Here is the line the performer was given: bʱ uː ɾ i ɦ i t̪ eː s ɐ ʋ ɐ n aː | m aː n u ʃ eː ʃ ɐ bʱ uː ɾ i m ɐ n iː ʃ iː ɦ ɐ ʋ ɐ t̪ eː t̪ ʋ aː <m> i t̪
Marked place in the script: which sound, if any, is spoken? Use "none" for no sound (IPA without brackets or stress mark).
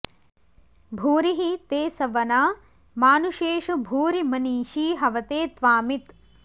m